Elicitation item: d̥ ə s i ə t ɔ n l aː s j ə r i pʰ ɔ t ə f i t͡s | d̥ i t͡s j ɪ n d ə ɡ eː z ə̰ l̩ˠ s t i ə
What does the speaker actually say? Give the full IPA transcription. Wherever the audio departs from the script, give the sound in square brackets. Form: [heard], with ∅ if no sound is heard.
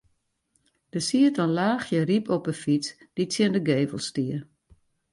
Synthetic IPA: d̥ ə s i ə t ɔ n l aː [x] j ə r i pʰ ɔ [p] ə f i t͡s | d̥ i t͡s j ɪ n d ə ɡ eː [v] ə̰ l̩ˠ s t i ə